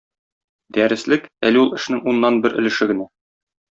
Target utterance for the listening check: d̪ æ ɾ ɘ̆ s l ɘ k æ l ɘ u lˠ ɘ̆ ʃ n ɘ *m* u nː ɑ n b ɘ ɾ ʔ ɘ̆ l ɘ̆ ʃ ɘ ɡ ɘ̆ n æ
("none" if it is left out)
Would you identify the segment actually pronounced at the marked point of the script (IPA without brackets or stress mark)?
ŋ